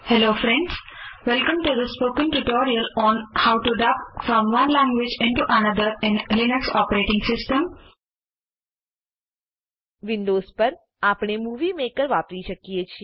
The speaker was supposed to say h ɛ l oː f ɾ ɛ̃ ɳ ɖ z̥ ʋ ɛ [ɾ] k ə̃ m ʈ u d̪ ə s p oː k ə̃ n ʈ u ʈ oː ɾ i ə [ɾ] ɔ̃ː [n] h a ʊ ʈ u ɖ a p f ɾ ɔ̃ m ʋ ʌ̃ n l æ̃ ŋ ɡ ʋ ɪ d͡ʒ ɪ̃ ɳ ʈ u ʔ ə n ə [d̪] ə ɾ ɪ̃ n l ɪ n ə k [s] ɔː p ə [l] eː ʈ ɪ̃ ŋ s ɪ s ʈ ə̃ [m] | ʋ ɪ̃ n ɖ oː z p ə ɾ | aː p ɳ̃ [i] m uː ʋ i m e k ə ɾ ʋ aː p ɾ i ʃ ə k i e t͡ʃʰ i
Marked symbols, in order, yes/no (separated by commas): no, no, yes, yes, yes, no, yes, no